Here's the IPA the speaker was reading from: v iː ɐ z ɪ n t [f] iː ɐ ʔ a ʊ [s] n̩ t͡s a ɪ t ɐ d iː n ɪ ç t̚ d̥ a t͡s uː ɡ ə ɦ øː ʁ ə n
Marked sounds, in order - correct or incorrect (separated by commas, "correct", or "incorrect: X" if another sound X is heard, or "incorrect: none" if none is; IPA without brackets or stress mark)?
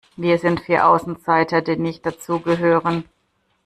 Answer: correct, correct